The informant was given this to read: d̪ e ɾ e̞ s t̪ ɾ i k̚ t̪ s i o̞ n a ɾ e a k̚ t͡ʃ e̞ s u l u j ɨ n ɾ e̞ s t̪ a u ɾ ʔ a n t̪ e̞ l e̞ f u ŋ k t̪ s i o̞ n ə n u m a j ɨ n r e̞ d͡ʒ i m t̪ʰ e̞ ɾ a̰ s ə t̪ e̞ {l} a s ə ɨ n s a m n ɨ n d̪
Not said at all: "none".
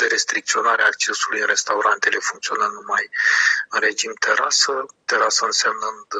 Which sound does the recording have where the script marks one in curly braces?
ɾ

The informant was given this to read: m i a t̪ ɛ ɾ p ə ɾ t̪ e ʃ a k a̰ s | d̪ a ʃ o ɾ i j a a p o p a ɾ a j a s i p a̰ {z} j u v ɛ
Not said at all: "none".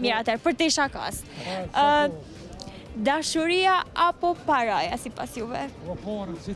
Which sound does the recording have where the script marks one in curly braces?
s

